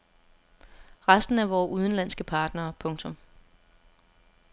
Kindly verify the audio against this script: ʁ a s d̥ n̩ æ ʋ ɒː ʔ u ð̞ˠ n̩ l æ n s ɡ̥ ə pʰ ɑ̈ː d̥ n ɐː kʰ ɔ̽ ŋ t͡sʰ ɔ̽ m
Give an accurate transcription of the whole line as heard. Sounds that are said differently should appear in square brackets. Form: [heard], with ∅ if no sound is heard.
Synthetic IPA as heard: ʁ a s d̥ n̩ æ ʋ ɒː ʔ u ð̞ˠ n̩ l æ n s ɡ̥ ə pʰ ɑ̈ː d̥ n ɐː [pʰ] ɔ̽ ŋ t͡sʰ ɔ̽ m

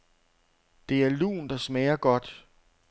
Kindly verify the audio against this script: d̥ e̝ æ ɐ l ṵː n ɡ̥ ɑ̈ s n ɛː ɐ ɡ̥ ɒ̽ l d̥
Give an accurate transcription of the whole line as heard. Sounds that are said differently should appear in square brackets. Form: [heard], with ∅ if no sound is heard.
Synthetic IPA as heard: d̥ e̝ æ ɐ l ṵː n [d̥] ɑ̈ s [m] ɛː ɐ ɡ̥ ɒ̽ [∅] d̥

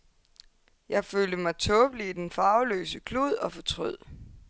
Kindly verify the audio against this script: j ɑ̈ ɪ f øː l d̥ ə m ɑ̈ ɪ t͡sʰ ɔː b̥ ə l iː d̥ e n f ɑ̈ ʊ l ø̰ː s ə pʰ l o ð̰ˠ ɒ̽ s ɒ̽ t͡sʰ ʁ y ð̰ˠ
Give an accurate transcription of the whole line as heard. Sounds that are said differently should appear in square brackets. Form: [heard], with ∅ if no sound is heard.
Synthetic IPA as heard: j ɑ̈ ɪ f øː l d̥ ə m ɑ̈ ɪ t͡sʰ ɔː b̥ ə l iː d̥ e n f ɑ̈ ʊ l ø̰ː s ə [kʰ] l [u] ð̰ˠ ɒ̽ [f] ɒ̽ t͡sʰ ʁ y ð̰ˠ

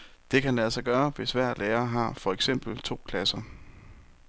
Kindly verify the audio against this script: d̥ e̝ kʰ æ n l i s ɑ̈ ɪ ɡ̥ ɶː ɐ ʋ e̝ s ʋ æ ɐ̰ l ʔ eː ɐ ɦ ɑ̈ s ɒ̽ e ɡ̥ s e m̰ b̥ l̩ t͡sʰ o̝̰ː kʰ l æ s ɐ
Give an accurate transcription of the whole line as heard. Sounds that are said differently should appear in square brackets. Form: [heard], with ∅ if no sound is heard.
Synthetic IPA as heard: d̥ e̝ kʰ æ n l [æ] s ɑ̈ ɪ ɡ̥ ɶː ɐ ʋ e̝ s ʋ æ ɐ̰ l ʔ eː ɐ ɦ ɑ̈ [f] ɒ̽ e ɡ̥ s e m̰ b̥ l̩ t͡sʰ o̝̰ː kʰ l æ s ɐ

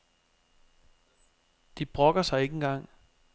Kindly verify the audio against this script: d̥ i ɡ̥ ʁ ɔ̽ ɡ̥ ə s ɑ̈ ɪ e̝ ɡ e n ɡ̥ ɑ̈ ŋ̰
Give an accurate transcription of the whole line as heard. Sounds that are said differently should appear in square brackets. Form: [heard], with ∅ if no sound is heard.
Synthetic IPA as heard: d̥ i [b̥] ʁ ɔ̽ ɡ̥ [ɐ] s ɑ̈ ɪ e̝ ɡ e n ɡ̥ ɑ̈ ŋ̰

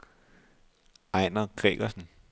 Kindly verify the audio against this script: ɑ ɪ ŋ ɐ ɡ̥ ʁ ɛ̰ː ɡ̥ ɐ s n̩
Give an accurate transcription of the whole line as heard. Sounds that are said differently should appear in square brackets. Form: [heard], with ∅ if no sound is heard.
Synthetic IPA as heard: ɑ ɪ [n] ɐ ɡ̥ ʁ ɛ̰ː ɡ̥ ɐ s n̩

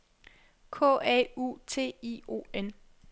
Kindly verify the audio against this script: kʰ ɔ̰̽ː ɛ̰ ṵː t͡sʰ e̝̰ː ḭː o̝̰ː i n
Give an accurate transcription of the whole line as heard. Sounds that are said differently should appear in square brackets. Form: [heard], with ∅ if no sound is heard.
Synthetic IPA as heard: kʰ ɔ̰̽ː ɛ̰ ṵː t͡sʰ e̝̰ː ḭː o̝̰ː [e] n

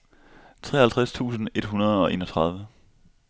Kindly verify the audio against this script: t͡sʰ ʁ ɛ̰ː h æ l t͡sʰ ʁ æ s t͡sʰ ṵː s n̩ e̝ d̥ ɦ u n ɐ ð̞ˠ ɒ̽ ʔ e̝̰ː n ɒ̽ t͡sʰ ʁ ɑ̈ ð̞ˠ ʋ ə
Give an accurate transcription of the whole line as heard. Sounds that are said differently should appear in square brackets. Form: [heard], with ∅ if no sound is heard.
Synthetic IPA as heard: t͡sʰ ʁ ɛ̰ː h æ l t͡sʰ ʁ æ s t͡sʰ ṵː s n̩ e̝ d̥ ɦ u n ɐ ð̞ˠ ɒ̽ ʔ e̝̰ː n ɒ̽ t͡sʰ ʁ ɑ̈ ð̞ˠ ʋ ə

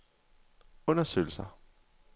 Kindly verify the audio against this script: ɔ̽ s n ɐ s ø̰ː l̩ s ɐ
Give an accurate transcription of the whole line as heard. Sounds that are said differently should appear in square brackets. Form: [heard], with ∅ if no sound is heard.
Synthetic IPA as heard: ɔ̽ [∅] n ɐ s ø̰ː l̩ s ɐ

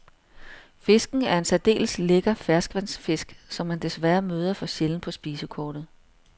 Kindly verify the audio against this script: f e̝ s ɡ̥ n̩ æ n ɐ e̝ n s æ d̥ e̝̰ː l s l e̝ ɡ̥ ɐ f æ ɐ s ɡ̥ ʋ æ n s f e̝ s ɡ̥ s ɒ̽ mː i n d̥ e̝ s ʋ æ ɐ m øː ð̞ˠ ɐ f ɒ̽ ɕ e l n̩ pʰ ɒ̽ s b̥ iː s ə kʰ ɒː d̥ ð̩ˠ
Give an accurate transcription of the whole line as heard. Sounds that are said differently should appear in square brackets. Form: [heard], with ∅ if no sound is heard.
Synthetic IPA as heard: f e̝ s ɡ̥ n̩ æ [∅] ɐ e̝ n s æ d̥ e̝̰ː l s l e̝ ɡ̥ ɐ f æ ɐ s ɡ̥ ʋ æ n s f e̝ s ɡ̥ s ɒ̽ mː [æ] n d̥ e̝ s ʋ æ ɐ m øː ð̞ˠ ɐ f ɒ̽ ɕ e l n̩ pʰ ɒ̽ s b̥ iː s ə kʰ ɒː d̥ ð̩ˠ

